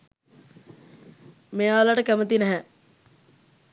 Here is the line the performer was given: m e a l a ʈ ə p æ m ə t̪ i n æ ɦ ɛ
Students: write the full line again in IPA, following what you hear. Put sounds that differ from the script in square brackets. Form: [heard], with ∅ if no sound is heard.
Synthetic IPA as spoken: m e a l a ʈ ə [k] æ m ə t̪ i n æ ɦ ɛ